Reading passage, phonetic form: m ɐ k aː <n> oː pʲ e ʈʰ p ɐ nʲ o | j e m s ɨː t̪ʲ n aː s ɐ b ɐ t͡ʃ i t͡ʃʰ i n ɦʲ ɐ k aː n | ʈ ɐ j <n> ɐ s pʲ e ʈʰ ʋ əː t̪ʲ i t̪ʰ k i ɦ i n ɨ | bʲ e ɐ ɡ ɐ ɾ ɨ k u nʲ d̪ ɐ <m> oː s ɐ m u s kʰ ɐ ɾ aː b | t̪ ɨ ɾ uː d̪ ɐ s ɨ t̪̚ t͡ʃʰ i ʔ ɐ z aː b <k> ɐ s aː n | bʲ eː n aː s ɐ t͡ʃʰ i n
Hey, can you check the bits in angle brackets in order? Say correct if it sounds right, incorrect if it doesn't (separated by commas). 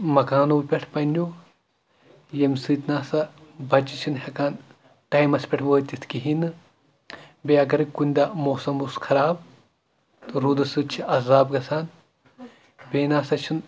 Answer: correct, incorrect, correct, incorrect